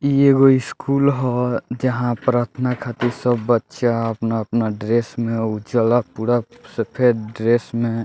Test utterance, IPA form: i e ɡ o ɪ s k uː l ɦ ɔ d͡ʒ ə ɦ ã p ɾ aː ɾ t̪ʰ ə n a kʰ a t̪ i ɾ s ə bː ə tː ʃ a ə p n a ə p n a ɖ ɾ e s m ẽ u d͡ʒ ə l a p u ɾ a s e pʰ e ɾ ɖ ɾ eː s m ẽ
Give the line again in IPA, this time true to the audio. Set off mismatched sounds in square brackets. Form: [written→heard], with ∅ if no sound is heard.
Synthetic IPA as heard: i e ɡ o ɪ s k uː l ɦ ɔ d͡ʒ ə ɦ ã p ɾ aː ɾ t̪ʰ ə n a kʰ a t̪ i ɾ s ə bː ə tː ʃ a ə p n a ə p n a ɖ ɾ e s m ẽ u d͡ʒ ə l a p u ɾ a s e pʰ e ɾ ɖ ɾ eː s m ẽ